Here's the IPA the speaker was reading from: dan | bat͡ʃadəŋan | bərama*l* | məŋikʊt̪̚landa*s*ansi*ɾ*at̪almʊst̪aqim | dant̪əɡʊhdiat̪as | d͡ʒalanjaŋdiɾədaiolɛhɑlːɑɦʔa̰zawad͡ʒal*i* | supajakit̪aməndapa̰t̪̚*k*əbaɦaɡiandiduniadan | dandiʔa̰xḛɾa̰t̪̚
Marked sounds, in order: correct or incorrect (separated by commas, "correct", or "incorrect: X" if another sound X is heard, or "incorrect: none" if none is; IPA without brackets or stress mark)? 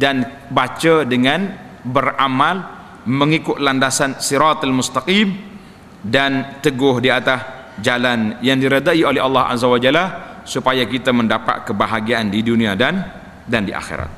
correct, correct, correct, incorrect: a, correct